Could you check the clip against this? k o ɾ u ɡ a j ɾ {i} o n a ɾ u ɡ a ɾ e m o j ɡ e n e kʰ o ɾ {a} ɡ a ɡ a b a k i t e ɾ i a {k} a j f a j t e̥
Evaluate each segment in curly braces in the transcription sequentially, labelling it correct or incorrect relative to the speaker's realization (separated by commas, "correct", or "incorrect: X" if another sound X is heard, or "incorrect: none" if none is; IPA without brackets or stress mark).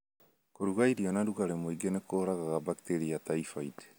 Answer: correct, correct, incorrect: t